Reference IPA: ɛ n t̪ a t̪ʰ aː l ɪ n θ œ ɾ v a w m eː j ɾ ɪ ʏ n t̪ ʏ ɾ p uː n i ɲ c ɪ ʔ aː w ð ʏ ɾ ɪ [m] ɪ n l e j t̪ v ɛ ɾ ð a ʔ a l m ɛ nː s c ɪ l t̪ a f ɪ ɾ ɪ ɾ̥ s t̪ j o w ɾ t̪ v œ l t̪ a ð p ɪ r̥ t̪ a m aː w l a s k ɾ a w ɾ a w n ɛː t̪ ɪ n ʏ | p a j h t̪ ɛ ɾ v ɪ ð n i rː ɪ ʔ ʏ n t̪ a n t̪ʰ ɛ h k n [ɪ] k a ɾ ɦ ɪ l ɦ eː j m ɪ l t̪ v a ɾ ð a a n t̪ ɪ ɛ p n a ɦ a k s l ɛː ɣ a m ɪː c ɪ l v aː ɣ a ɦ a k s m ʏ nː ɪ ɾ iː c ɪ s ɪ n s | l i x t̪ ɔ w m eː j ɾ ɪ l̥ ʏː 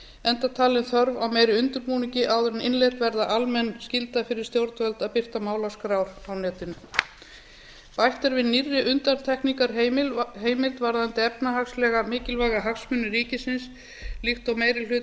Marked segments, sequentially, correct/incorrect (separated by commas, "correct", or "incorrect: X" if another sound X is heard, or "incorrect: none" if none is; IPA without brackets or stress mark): incorrect: n, incorrect: i